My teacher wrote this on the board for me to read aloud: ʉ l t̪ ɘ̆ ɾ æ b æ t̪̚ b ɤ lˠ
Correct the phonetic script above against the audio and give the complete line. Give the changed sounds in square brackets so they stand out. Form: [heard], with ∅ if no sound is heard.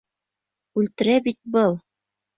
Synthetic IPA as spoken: ʉ l t̪ ɘ̆ ɾ æ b [i] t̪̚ b ɤ lˠ